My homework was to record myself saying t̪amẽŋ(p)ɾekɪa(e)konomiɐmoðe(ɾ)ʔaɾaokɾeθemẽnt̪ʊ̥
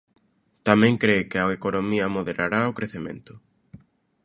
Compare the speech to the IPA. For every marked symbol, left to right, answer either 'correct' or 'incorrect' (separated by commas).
incorrect, correct, correct